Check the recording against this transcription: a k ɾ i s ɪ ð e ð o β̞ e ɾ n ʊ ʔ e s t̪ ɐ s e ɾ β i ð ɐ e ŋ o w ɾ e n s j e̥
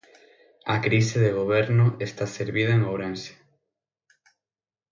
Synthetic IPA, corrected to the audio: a k ɾ i s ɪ ð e ɣ o β̞ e ɾ n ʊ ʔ e s t̪ a s e ɾ β i ð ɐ e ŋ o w ɾ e n s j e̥

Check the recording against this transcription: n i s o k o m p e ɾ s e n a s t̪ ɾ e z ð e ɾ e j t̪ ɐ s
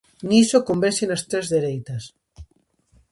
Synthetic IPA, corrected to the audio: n i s o k o m b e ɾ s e n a s t̪ ɾ e z ð e ɾ e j t̪ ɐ s

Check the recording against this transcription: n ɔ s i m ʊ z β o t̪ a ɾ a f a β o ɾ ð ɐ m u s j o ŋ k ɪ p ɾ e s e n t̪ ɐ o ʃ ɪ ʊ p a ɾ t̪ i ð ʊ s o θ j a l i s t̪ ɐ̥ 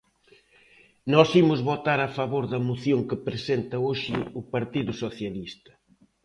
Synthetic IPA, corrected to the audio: n ɔ s i m ʊ z β o t̪ a ɾ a f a β o ɾ ð ɐ m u θ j o ŋ k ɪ p ɾ e s e n t̪ ɐ o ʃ ɪ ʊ p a ɾ t̪ i ð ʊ s o θ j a l i s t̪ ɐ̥

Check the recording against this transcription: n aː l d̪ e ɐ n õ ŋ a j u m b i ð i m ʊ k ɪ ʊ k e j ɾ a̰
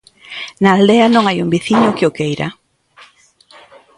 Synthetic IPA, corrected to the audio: n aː l d̪ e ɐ n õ ŋ a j u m b i θ i ɲ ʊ k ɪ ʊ k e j ɾ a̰

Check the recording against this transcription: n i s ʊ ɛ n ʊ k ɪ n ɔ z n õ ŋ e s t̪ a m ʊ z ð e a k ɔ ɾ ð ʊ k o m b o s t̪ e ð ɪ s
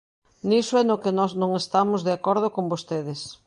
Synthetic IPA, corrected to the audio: n i s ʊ ɛ n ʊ k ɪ n ɔ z n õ ŋ e s t̪ a m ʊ z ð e a k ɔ ɾ ð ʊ k o m b o s t̪ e ð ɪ s

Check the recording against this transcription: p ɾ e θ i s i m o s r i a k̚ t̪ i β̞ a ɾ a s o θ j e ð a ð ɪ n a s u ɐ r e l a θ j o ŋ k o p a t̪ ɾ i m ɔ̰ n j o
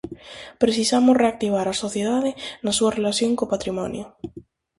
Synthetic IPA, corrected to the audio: p ɾ e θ i s a m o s r e a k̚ t̪ i β̞ a ɾ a s o θ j e ð a ð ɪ n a s u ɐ r e l a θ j o ŋ k o p a t̪ ɾ i m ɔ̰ n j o

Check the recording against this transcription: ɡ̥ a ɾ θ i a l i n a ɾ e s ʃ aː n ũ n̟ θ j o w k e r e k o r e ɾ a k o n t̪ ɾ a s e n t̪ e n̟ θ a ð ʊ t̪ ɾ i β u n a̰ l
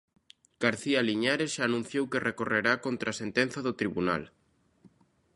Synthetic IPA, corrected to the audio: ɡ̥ a ɾ θ i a l i ɲ a ɾ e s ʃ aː n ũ n̟ θ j o w k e r e k o r e ɾ a k o n t̪ ɾ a s e n t̪ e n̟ θ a ð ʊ t̪ ɾ i β u n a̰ l

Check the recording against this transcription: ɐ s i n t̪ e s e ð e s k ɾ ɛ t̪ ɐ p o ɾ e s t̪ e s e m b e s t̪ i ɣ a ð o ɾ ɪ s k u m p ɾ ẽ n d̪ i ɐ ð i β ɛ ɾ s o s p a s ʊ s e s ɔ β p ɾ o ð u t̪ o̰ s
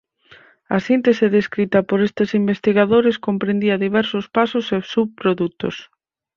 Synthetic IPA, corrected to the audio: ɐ s i n t̪ e s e ð e s k ɾ i t̪ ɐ p o ɾ e s t̪ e s i m b e s t̪ i ɣ a ð o ɾ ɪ s k o m p ɾ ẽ n d̪ i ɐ ð i β ɛ ɾ s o s p a s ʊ s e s u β p ɾ o ð u t̪ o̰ s

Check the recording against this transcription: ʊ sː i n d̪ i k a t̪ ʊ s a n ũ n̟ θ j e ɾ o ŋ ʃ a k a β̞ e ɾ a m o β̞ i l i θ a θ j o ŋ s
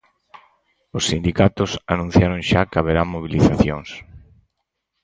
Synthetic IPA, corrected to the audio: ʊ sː i n d̪ i k a t̪ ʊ s a n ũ n̟ θ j a ɾ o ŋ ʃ a k a β̞ e ɾ a m o β̞ i l i θ a θ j o ŋ s

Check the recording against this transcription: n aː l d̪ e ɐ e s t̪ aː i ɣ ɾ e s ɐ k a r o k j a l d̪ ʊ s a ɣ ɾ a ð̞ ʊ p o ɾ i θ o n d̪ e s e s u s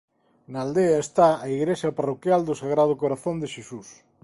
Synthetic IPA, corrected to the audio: n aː l d̪ e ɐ e s t̪ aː i ɣ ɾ e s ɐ p a r o k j a l d̪ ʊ s a ɣ ɾ a ð̞ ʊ k o ɾ a θ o n d̪ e ʃ e s u s

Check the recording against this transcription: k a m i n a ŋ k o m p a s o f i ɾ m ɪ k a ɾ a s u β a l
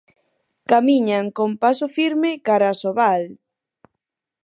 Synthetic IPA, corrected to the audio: k a m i ɲ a ŋ k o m p a s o f i ɾ m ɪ k a ɾ a s o β a l

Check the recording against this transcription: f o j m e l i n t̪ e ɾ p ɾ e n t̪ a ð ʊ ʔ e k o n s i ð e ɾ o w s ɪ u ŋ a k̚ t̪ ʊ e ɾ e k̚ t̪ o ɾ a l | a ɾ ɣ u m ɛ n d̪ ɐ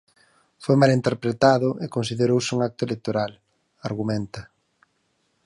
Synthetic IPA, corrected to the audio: f o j m a l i n t̪ e ɾ p ɾ e t̪ a ð ʊ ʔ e k o n s i ð e ɾ o w s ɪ u ŋ a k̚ t̪ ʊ e l e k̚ t̪ o ɾ a l | a ɾ ɣ u m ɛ n t̪ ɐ

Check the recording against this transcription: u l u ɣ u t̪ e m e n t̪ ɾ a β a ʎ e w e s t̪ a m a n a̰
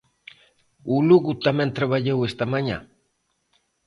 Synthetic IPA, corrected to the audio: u l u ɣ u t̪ a m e n t̪ ɾ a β a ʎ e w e s t̪ a m a ɲ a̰

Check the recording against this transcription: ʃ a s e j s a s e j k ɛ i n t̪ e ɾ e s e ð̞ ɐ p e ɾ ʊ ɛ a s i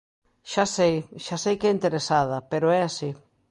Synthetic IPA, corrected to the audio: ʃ a s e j ʃ a s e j k ɛ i n t̪ e ɾ e s a ð̞ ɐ p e ɾ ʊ ɛ a s i

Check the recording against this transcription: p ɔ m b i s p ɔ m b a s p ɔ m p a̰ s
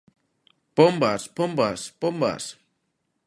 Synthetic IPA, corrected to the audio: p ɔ m b a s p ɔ m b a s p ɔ m b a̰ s

